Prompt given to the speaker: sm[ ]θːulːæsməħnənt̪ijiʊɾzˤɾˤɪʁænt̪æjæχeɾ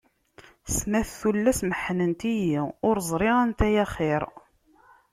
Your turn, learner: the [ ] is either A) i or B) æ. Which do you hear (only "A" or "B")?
B